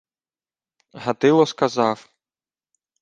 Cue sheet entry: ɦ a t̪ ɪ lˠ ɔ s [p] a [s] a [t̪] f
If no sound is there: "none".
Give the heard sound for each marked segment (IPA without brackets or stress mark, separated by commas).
k, z, none